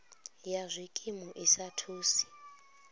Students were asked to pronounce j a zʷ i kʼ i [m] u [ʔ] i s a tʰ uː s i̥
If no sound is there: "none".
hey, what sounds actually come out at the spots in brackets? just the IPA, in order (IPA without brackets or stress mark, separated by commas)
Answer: m, ʔ